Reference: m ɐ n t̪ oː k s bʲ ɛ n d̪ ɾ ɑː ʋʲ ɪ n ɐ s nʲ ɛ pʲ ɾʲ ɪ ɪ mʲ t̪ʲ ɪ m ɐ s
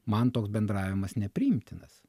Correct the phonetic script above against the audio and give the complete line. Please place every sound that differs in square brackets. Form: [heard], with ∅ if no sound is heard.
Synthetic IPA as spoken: m ɐ n t̪ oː k s bʲ ɛ n d̪ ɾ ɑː ʋʲ ɪ [m] ɐ s nʲ ɛ pʲ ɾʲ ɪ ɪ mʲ t̪ʲ ɪ [n] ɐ s